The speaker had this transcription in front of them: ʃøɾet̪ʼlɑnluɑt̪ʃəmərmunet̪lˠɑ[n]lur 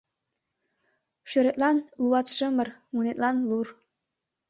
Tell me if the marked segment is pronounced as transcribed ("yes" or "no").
yes